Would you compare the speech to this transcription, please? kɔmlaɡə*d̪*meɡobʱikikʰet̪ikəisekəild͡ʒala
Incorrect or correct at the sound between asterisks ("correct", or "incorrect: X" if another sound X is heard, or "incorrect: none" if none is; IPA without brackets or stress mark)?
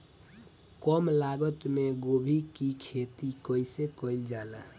incorrect: t̪